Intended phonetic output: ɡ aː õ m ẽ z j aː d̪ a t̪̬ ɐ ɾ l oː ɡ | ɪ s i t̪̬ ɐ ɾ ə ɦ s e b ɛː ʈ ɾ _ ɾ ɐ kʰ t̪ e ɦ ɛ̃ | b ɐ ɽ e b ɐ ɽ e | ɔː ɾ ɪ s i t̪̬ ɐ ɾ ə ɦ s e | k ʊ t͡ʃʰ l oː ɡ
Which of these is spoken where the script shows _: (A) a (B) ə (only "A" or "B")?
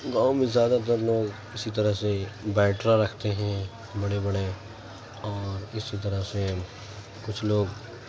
A